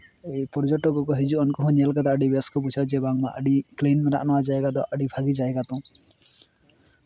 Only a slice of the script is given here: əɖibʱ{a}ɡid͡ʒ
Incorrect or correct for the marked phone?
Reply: correct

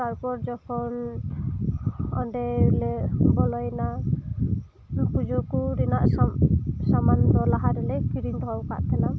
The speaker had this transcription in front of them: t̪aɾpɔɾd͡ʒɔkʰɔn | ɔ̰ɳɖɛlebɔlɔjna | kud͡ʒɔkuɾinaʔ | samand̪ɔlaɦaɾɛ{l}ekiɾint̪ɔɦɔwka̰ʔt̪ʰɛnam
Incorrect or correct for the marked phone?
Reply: correct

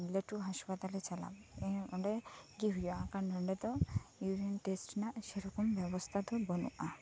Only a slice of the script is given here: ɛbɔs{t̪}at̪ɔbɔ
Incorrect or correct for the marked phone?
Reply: incorrect: t̪ʰ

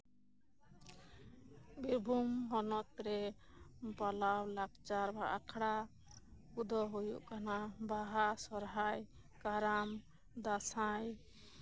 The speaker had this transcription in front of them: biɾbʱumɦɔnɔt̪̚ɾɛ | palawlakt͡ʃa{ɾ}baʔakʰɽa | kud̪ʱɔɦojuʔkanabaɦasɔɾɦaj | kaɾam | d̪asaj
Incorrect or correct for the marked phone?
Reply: correct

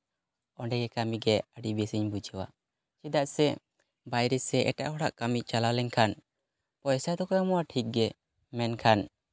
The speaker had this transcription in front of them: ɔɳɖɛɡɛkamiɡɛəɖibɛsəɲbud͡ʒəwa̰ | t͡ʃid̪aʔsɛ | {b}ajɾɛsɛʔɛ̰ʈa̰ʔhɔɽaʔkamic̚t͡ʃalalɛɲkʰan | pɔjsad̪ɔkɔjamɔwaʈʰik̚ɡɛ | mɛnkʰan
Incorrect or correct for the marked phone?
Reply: correct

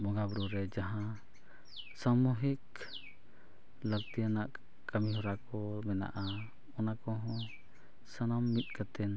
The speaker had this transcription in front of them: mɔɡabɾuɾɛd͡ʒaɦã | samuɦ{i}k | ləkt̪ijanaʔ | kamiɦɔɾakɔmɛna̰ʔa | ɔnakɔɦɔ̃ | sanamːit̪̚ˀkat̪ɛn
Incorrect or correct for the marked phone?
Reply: correct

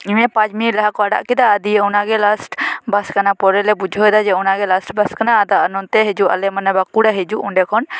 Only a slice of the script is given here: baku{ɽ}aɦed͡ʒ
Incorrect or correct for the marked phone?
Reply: correct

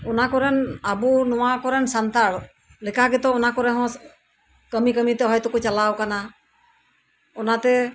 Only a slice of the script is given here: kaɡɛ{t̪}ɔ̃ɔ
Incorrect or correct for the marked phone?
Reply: correct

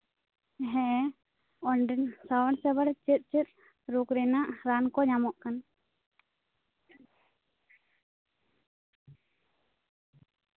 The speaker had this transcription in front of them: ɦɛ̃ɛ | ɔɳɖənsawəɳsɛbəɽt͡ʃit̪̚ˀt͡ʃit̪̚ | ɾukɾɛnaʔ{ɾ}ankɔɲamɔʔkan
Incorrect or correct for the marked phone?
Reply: correct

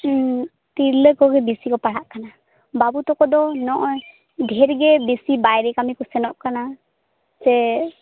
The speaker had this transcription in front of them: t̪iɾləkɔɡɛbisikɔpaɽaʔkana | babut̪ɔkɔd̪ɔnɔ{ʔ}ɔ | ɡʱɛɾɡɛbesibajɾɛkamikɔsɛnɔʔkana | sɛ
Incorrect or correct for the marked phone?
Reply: correct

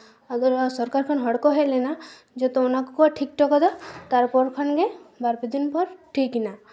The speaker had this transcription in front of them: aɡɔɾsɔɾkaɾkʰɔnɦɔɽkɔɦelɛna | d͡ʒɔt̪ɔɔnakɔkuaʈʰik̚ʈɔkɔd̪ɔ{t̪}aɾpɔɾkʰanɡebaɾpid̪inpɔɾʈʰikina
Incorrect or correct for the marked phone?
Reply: correct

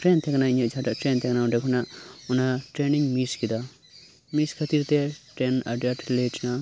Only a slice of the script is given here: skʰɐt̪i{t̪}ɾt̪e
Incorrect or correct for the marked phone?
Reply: incorrect: none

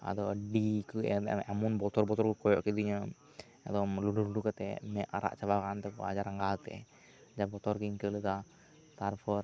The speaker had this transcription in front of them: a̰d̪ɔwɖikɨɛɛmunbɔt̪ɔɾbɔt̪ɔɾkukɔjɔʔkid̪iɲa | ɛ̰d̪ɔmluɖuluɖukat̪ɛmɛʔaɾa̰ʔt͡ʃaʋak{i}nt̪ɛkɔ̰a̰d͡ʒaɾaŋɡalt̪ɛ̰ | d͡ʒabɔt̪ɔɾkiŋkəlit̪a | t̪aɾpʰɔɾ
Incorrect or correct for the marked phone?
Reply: incorrect: a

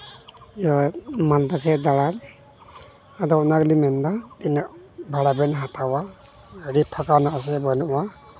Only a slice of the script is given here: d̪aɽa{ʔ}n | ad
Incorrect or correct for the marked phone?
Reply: incorrect: none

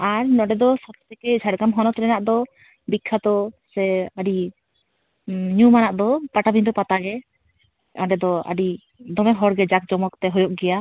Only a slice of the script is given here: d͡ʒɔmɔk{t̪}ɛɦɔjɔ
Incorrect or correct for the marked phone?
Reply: correct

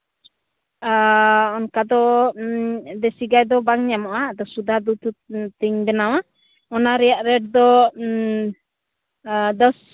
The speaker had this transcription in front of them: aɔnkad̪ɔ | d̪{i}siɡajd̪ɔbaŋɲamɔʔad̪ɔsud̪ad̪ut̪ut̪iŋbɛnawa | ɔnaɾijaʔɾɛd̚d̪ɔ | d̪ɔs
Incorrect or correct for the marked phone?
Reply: incorrect: ɛ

